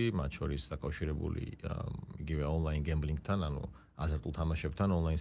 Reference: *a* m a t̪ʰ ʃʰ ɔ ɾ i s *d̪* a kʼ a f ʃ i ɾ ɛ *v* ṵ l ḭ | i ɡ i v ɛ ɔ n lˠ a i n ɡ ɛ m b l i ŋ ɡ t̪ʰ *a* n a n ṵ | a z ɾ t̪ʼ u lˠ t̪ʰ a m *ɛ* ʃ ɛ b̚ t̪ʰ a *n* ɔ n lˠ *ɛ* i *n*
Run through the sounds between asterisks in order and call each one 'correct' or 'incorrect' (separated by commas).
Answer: incorrect, correct, incorrect, correct, incorrect, correct, incorrect, correct